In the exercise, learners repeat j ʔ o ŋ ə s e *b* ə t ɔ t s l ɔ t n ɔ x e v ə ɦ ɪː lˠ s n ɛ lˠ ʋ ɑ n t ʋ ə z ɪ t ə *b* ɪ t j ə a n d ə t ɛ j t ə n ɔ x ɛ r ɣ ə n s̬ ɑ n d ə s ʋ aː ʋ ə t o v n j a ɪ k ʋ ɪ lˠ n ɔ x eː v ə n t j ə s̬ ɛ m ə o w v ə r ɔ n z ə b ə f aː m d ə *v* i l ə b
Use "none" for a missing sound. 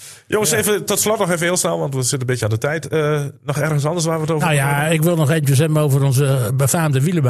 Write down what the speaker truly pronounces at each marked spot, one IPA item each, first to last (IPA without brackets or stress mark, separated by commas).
v, b, ʋ